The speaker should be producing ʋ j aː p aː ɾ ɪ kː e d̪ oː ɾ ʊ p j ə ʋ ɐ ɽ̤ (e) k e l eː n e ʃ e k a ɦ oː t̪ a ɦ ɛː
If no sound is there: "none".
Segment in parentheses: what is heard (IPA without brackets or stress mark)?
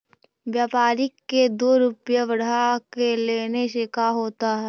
a